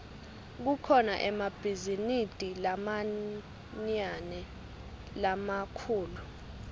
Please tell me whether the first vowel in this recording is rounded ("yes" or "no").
yes